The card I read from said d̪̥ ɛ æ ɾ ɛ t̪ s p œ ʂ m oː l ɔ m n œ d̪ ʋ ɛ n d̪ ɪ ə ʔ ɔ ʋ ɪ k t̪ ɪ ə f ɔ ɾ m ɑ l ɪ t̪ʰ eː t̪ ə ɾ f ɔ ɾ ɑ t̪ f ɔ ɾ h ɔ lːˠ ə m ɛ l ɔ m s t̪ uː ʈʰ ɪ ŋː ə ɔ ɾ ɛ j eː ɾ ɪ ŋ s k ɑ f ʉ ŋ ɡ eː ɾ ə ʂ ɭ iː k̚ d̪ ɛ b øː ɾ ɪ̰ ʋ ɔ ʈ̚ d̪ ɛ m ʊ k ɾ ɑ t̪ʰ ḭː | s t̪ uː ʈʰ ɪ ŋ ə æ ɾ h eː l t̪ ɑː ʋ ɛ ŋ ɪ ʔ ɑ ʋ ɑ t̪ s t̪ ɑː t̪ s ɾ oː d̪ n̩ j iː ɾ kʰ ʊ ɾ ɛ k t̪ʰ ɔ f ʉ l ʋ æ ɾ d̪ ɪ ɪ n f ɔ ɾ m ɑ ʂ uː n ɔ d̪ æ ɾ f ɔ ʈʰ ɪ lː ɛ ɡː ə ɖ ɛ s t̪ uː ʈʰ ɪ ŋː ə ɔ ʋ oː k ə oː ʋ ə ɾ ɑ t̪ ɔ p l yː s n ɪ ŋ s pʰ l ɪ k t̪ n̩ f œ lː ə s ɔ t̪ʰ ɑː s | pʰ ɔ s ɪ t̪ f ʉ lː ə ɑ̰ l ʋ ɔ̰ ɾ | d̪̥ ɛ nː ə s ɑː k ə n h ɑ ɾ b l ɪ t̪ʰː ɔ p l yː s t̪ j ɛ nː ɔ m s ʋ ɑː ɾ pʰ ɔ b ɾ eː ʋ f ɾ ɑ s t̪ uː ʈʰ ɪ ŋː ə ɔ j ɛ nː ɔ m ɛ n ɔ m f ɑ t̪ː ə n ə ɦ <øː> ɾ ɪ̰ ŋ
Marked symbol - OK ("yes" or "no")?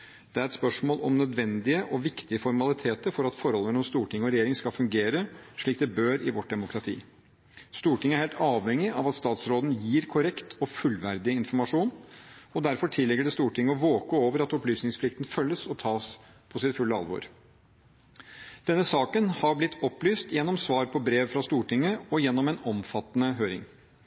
yes